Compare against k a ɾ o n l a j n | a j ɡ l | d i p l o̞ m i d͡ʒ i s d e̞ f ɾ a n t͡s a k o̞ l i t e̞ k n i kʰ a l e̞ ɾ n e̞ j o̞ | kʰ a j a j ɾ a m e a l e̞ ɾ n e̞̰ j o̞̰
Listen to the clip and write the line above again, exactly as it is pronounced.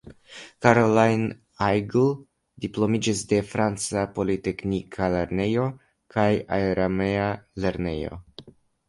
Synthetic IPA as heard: k a ɾ o l a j n | a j ɡ l | d i p l o̞ m i d͡ʒ i s d e̞ f ɾ a n t͡s a p o̞ l i t e̞ k n i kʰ a l e̞ ɾ n e̞ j o̞ | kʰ a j a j ɾ a m e a l e̞ ɾ n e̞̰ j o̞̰

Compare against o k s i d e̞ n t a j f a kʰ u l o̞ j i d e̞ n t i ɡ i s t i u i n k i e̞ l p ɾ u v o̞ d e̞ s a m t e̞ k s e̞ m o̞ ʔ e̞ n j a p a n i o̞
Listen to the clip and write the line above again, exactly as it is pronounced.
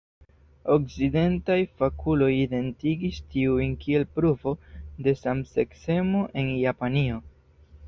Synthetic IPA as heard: o k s i d e̞ n t a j f a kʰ u l o̞ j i d e̞ n t i ɡ i s t i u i n k i e̞ l p ɾ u v o̞ d e̞ s a m s e̞ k s e̞ m o̞ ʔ e̞ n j a p a n i o̞

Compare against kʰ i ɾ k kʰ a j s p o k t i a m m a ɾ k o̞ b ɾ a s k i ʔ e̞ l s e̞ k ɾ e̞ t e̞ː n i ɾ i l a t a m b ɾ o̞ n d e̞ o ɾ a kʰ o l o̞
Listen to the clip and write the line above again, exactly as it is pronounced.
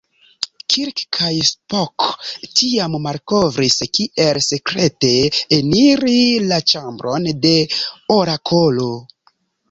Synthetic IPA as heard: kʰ i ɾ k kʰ a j s p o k t i a m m a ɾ k o̞ v ɾ i s k i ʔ e̞ l s e̞ k ɾ e̞ t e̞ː n i ɾ i l a t͡ʃ a m b ɾ o̞ n d e̞ o ɾ a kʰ o l o̞

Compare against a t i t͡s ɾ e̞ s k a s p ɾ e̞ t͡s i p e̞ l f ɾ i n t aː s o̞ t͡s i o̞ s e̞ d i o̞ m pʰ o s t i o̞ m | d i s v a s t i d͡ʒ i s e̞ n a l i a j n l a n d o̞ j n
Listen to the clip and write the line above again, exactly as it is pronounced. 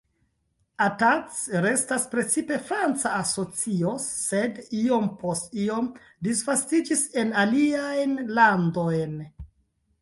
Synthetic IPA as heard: a t a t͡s ɾ e̞ s t a s p ɾ e̞ t͡s i p e̞ f ɾ a n t͡s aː s o̞ t͡s i o̞ s e̞ d i o̞ m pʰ o s t i o̞ m | d i s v a s t i d͡ʒ i s e̞ n a l i a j n l a n d o̞ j n

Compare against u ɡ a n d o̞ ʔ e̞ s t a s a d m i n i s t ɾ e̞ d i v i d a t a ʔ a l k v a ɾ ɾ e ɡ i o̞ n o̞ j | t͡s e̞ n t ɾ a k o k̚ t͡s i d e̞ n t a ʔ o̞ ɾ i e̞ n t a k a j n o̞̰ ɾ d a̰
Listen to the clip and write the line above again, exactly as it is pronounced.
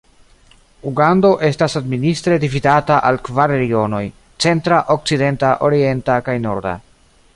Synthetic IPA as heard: u ɡ a n d o̞ ʔ e̞ s t a s a d m i n i s t ɾ e̞ d i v i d a t a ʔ a l k v a ɾ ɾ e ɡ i o̞ n o̞ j | t͡s e̞ n t ɾ a ʔ o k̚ t͡s i d e̞ n t a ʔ o̞ ɾ i e̞ n t a k a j n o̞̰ ɾ d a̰

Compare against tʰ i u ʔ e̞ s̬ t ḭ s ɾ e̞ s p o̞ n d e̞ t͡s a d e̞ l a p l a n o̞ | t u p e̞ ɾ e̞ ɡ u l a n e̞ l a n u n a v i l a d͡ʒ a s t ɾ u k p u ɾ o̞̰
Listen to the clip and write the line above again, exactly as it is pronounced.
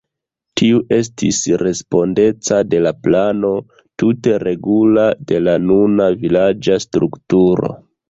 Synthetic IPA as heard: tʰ i u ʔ e̞ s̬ t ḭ s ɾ e̞ s p o̞ n d e̞ t͡s a d e̞ l a p l a n o̞ | t u t e̞ ɾ e̞ ɡ u l a d e̞ l a n u n a v i l a d͡ʒ a s t ɾ u k t u ɾ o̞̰

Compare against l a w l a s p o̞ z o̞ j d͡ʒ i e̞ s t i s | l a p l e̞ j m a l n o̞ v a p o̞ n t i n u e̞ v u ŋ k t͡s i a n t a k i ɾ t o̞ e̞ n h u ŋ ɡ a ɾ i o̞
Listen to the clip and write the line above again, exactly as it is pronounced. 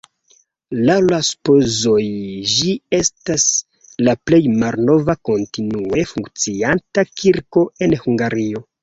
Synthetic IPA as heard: l a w l a s p o̞ z o̞ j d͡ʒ i e̞ s t a s | l a p l e̞ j m a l n o̞ v a k o̞ n t i n u e̞ f u ŋ k t͡s i a n t a k i ɾ k o̞ e̞ n h u ŋ ɡ a ɾ i o̞

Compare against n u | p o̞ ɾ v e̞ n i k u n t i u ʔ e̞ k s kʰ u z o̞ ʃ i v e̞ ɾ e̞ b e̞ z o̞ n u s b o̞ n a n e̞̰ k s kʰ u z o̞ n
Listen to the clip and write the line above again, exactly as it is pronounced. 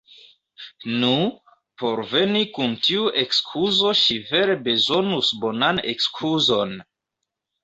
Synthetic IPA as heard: n u | p o̞ ɾ v e̞ n i k u n t i u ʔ e̞ k s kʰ u z o̞ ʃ i v e̞ ɾ e̞ b e̞ z o̞ n u s b o̞ n a n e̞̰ k s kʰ u z o̞ n

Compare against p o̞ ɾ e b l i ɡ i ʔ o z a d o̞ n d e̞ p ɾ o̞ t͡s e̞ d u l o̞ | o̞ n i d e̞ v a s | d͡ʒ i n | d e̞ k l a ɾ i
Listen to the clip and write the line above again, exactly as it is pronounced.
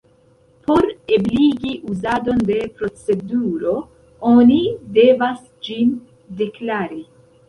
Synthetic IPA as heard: p o̞ ɾ e b l i ɡ i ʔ u z a d o̞ n d e̞ p ɾ o̞ t͡s e̞ d u ɾ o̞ | o̞ n i d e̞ v a s | d͡ʒ i n | d e̞ k l a ɾ i

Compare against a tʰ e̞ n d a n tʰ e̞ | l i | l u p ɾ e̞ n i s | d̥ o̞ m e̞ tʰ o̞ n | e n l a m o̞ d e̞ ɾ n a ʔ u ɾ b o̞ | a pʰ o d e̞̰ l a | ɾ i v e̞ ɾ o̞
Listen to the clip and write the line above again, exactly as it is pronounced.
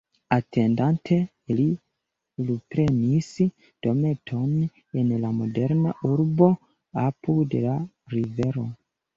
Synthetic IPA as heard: a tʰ e̞ n d a n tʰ e̞ | l i | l u p ɾ e̞ n i s | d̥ o̞ m e̞ tʰ o̞ n | e n l a m o̞ d e̞ ɾ n a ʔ u ɾ b o̞ | a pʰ u d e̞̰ l a | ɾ i v e̞ ɾ o̞

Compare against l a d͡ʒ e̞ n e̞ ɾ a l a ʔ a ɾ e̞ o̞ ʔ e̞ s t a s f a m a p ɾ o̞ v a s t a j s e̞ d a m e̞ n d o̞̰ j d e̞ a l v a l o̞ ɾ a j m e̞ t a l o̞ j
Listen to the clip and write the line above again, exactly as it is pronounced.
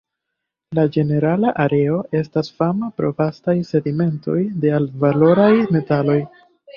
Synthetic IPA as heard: l a d͡ʒ e̞ n e̞ ɾ a l a ʔ a ɾ e̞ o̞ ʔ e̞ s t a s f a m a p ɾ o̞ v a s t a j s e̞ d i m e̞ n t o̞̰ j d e̞ a l v a l o̞ ɾ a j m e̞ t a l o̞ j

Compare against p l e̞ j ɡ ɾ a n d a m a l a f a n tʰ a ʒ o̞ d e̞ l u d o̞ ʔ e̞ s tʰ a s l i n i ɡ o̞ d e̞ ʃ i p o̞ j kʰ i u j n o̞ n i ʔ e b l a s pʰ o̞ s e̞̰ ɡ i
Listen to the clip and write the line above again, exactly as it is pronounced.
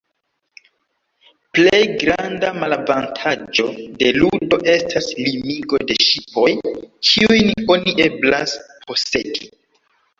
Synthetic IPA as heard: p l e̞ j ɡ ɾ a n d a m a l a v a n tʰ a d͡ʒ o̞ d e̞ l u d o̞ ʔ e̞ s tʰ a s l i m i ɡ o̞ d e̞ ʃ i p o̞ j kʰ i u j n o̞ n i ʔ e b l a s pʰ o̞ s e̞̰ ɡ i

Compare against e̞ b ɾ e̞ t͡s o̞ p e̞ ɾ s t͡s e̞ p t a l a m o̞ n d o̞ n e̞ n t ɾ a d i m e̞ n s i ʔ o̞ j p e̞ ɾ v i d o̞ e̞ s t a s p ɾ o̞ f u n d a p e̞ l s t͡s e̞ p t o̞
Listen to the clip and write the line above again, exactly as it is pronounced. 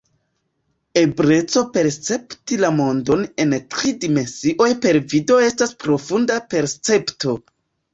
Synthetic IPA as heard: e̞ b ɾ e̞ t͡s o̞ p e̞ ɾ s t͡s e̞ p t i l a m o̞ n d o̞ n e̞ n t ɾ i d i m e̞ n s i ʔ o̞ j p e̞ ɾ v i d o̞ e̞ s t a s p ɾ o̞ f u n d a p e̞ ɾ s t͡s e̞ p t o̞

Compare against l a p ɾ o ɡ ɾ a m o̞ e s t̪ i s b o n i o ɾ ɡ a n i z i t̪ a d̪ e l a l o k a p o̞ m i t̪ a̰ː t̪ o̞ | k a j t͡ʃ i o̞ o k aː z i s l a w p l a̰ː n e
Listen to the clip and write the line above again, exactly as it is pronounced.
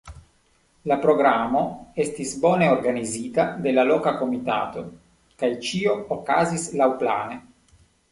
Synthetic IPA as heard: l a p ɾ o ɡ ɾ a m o̞ e s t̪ i s b o n e o ɾ ɡ a n i z i t̪ a d̪ e l a l o k a k o̞ m i t̪ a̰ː t̪ o̞ | k a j t͡ʃ i o̞ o k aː z i s l a w p l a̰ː n e

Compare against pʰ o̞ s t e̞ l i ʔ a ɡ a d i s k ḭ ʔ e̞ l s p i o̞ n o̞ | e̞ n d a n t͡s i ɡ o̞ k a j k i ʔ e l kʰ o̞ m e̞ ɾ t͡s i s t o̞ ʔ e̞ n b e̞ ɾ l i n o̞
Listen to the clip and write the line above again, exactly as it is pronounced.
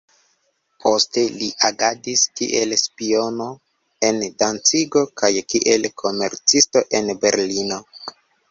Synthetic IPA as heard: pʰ o̞ s t e̞ l i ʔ a ɡ a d i s k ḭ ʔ e̞ l s p i o̞ n o̞ | e̞ n d a n t͡s i ɡ o̞ k a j k i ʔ e l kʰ o̞ m e̞ ɾ t͡s i s t o̞ ʔ e̞ n b e̞ ɾ l i n o̞

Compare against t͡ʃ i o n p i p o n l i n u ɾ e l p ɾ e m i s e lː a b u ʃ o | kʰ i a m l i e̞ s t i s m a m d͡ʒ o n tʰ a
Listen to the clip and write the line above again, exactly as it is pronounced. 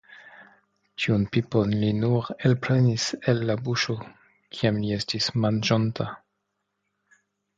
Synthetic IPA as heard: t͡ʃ i u n p i p o n l i n u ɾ e l p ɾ e n i s e lː a b u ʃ o | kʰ i a m l i e̞ s t i s m a n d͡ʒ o n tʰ a

